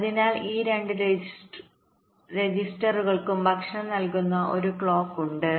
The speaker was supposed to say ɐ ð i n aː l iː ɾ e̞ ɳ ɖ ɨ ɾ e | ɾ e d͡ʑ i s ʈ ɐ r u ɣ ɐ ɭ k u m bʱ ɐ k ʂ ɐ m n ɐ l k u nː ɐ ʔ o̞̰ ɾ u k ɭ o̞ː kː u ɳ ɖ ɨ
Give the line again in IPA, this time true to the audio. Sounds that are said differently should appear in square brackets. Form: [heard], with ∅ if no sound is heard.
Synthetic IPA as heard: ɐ ð i n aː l iː ɾ e̞ ɳ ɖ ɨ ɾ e | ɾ e d͡ʑ i s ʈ ɐ r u ɣ ɐ ɭ k u m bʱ ɐ k ʂ ɐ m n ɐ l k u nː ɐ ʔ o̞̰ ɾ u k ɭ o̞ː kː u ɳ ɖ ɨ